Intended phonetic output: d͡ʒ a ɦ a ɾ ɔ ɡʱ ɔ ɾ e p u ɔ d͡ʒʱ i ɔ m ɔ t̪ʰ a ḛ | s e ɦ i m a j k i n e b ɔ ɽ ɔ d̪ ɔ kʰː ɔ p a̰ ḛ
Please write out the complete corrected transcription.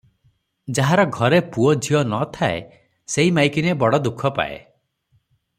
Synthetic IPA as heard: d͡ʒ a ɦ a ɾ ɔ ɡʱ ɔ ɾ e p u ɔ d͡ʒʱ i ɔ n ɔ t̪ʰ a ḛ | s e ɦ i m a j k i n e b ɔ ɽ ɔ d̪ u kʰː ɔ p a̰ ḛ